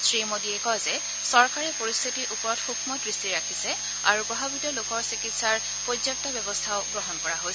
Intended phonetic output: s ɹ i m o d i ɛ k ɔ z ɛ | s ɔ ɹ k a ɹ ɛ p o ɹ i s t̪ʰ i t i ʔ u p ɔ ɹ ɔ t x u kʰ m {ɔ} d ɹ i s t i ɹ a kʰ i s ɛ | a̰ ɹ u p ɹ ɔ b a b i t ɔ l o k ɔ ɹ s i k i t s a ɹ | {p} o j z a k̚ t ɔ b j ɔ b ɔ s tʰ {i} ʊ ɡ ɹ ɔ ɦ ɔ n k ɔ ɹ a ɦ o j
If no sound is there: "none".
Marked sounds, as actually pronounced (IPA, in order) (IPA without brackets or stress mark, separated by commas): ɔ, p, a